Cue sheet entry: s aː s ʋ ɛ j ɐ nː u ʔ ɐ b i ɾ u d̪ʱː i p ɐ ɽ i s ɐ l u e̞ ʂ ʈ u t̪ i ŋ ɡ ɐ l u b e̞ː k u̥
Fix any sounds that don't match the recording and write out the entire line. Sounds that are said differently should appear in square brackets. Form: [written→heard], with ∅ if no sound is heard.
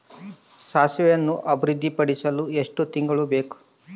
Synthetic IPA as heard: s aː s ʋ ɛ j ɐ nː u ʔ ɐ b i ɾ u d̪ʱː i p ɐ ɽ i s ɐ l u e̞ ʂ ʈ u t̪ i ŋ ɡ ɐ [l→ɭ] u b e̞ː k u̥